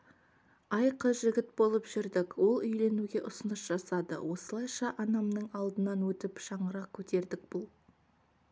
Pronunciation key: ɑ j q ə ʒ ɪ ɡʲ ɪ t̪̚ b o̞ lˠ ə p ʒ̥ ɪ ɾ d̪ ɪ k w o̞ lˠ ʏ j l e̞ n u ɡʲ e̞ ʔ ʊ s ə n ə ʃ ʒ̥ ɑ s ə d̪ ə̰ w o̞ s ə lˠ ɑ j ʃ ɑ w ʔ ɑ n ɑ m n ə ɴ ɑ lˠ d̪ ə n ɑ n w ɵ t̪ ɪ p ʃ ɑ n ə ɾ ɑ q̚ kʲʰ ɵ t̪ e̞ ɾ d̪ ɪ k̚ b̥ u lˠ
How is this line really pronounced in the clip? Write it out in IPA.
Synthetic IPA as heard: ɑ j q ə ʒ ɪ ɡʲ ɪ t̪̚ b o̞ lˠ ə p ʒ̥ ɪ ɾ d̪ ɪ k w o̞ lˠ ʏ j l e̞ n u ɡʲ e̞ ʔ ʊ s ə n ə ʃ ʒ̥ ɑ s ɑ d̪ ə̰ w o̞ s ə lˠ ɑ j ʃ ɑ ʔ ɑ n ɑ m n ə ɴ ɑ lˠ d̪ ə n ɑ n w ɵ t̪ ɪ p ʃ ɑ ɴ ə ɾ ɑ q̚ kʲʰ ɵ t̪ e̞ ɾ d̪ ɪ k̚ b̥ ʊ lˠ